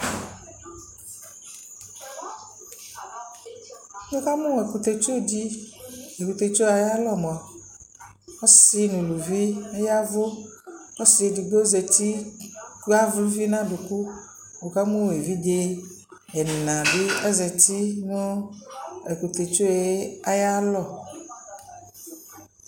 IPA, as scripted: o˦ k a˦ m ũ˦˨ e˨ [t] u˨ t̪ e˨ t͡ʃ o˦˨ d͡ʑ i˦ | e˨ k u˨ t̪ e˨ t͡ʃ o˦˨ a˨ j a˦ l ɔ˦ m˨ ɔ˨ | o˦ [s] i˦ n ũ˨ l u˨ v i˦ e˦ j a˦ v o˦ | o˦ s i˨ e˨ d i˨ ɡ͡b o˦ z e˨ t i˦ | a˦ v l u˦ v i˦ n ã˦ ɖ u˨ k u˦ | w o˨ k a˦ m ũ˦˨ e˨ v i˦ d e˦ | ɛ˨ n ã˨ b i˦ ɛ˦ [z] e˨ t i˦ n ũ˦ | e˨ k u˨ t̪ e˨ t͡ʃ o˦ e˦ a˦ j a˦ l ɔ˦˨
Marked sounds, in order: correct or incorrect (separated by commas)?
incorrect, correct, correct